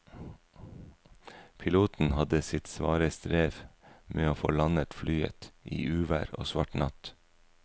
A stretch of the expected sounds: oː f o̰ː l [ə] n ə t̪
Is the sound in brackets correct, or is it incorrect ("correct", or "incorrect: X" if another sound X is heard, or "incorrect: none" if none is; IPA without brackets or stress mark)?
incorrect: ɑ